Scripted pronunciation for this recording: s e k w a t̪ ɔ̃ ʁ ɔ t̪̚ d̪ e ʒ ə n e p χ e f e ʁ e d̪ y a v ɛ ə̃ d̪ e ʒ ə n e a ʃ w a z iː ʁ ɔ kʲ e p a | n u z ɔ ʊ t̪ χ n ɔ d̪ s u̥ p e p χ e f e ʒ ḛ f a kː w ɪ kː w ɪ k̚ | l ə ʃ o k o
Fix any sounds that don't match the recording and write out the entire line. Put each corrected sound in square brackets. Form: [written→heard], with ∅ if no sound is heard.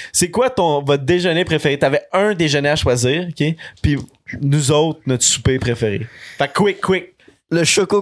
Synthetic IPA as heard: s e k w a t̪ ɔ̃ [ʁ→v] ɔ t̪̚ d̪ e ʒ ə n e p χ e f e ʁ e [d̪→t̪] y a v ɛ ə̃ d̪ e ʒ ə n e a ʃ w a z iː ʁ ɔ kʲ e p [a→i] | n u z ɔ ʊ t̪ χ n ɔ [d̪→t̪] s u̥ p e p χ e f e [ʒ→ʁ] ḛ f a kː w ɪ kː w ɪ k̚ | l ə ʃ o k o